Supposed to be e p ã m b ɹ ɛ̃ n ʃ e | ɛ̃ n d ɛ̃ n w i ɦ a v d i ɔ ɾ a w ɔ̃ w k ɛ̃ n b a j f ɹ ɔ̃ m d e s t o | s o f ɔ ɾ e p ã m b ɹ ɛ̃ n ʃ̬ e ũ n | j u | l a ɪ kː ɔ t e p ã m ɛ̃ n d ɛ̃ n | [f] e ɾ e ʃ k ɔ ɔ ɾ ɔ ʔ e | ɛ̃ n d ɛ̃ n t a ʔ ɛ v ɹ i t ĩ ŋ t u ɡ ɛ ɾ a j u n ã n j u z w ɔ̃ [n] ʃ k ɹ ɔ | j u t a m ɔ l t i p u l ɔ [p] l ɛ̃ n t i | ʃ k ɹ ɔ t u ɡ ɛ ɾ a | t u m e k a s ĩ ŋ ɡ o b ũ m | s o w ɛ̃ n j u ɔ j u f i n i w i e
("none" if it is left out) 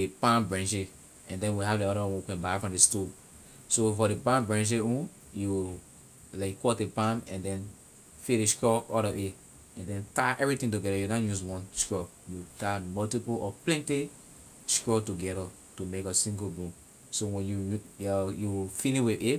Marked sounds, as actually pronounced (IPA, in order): f, n, p

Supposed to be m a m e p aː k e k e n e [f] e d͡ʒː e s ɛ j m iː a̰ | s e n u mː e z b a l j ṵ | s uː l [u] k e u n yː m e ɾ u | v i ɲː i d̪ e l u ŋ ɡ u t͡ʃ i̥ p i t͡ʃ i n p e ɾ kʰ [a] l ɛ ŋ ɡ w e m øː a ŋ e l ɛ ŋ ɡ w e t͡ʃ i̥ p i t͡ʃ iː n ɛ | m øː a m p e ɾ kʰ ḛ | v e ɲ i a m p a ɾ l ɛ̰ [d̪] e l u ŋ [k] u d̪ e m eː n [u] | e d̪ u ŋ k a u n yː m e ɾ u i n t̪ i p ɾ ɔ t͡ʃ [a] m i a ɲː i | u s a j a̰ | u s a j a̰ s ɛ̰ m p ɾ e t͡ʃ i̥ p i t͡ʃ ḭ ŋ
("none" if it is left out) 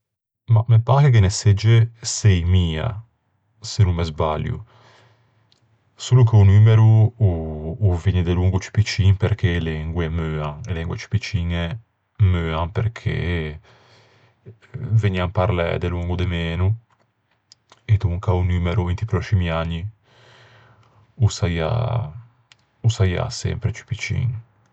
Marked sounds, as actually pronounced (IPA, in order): s, u, e, d̪, ɡ, u, i

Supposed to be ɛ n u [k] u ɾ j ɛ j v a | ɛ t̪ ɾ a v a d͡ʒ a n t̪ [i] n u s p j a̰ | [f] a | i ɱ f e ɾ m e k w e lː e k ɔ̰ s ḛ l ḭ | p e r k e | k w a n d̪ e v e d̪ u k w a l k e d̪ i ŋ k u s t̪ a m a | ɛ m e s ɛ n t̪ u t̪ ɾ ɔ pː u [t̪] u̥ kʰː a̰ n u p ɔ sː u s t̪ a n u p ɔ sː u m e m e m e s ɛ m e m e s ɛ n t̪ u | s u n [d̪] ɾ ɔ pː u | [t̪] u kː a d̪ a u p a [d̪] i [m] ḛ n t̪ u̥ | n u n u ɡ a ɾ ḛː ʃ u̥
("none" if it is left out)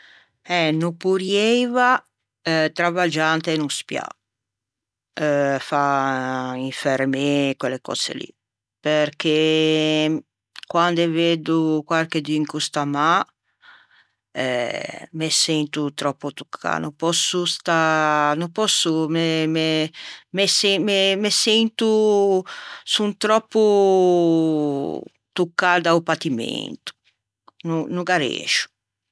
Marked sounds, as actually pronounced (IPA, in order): p, e, f, t̪, t̪, t̪, t̪, m

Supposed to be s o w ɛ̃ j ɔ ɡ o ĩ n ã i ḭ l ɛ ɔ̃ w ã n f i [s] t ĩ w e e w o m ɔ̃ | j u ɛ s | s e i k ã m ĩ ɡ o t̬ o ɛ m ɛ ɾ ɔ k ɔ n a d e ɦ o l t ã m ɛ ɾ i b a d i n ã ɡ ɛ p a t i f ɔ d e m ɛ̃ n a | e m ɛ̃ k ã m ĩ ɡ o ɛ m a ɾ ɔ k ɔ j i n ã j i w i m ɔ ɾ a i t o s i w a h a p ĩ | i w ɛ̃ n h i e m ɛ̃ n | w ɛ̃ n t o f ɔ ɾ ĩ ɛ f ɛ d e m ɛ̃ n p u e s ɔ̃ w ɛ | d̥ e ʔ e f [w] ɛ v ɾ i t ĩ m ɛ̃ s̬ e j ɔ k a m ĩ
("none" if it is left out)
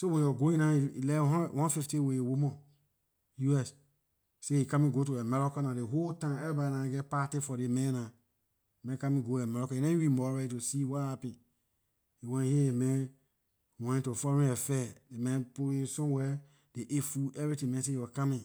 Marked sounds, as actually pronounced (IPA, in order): f, u

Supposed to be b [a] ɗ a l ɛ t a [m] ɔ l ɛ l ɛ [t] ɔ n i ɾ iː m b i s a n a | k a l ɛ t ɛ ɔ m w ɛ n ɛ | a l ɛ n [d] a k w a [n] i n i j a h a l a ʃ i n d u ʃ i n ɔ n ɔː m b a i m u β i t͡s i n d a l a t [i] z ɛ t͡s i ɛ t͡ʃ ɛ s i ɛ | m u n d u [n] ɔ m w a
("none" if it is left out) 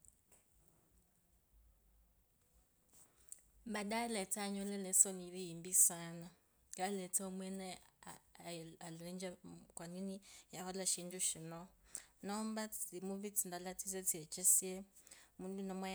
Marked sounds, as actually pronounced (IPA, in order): a, ɲ, s, d͡ʒ, n, i, n

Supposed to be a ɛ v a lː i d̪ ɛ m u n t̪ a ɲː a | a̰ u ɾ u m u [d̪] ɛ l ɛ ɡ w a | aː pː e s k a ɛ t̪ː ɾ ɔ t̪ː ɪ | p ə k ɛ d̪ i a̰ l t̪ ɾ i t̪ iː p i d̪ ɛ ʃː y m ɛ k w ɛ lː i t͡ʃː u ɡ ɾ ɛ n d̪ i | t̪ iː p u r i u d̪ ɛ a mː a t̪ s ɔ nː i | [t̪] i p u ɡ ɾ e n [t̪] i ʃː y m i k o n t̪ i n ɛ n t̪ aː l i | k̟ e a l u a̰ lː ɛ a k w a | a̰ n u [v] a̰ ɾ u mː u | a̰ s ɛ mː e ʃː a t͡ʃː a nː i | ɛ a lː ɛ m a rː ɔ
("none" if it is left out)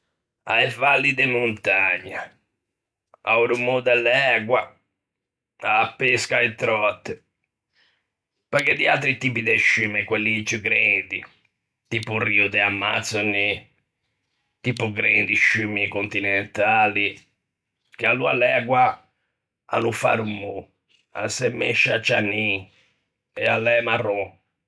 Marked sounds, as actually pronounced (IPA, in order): d̪, t̪, d̪, f

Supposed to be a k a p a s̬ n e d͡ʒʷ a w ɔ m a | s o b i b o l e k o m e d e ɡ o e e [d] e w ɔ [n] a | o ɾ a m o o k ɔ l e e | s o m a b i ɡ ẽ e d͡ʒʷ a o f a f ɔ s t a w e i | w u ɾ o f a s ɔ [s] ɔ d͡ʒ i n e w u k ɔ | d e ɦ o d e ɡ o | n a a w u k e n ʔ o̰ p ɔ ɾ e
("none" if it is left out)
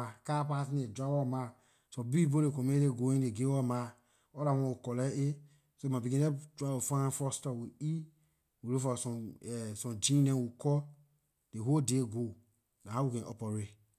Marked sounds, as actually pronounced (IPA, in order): ɡ, m, s

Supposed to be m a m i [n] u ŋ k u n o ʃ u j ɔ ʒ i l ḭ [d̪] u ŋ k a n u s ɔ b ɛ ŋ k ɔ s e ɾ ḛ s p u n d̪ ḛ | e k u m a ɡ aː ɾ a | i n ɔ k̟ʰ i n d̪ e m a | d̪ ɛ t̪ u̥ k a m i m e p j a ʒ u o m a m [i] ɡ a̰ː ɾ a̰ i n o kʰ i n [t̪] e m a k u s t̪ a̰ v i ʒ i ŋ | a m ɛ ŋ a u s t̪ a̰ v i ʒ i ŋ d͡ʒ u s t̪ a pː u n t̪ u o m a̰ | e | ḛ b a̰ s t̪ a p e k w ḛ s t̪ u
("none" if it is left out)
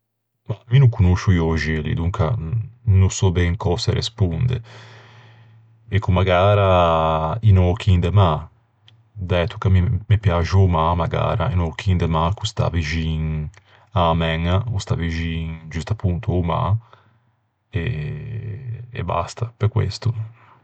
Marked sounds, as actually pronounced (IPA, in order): n, d̪, a, d̪

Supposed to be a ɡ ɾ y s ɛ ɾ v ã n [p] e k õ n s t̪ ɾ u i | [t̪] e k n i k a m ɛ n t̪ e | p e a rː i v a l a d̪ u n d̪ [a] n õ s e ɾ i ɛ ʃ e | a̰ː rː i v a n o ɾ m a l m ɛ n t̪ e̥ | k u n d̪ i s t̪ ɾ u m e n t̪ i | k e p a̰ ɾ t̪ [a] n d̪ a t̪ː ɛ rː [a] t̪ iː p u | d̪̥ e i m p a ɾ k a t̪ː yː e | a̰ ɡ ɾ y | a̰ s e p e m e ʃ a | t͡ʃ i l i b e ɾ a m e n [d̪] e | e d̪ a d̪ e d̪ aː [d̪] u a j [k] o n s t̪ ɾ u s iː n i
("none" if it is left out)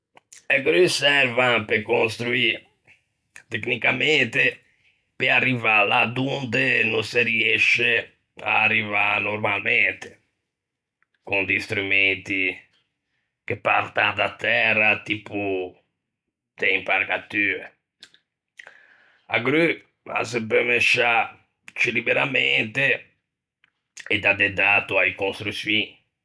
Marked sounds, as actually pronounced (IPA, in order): p, t̪, e, a, a, t̪, t̪, k

